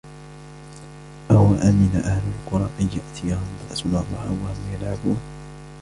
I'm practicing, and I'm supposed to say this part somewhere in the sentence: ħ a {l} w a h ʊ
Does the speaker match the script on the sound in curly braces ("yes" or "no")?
no